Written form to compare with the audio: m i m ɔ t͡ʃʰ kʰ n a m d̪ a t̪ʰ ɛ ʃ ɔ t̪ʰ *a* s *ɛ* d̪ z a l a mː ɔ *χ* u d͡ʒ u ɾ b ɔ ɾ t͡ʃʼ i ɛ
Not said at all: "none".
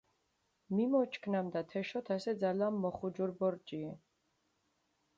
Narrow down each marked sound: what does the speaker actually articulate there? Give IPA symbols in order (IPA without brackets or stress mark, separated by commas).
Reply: a, ɛ, χ